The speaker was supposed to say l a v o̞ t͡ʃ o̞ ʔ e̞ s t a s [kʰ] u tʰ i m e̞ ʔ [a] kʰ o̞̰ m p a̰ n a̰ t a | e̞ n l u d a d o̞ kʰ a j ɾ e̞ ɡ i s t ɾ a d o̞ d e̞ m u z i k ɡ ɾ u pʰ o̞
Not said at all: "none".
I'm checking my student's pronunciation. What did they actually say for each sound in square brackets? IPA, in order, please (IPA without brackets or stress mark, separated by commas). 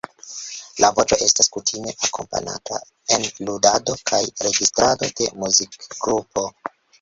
k, a